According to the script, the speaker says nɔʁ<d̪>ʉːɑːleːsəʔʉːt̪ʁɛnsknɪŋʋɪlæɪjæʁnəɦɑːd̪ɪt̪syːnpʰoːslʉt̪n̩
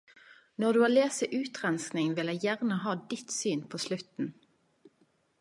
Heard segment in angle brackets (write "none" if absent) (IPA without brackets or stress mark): d̪